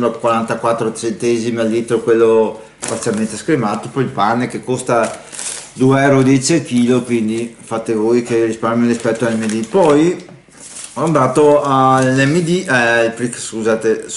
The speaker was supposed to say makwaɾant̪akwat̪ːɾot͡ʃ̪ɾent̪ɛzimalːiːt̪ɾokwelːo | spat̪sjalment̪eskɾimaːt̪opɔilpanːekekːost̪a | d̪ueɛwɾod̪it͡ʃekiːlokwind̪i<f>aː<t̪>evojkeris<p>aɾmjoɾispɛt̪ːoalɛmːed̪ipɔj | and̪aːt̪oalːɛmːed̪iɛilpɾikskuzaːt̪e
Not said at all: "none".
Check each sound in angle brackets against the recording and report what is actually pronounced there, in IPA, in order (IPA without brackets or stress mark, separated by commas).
f, t̪, p